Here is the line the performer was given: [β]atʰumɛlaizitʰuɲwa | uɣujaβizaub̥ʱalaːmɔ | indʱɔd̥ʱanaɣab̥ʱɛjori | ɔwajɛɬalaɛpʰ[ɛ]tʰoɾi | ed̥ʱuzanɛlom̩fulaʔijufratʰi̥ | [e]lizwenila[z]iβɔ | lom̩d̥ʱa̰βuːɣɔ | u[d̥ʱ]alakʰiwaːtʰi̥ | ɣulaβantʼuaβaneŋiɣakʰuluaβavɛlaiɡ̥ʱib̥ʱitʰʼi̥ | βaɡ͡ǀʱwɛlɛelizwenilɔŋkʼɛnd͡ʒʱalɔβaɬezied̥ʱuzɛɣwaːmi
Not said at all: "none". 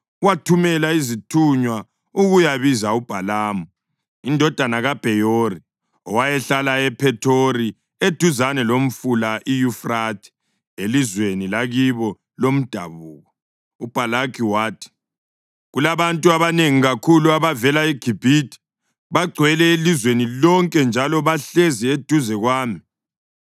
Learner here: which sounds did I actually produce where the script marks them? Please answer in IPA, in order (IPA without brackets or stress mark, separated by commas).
w, ɛ, e, ɣ, b̥ʱ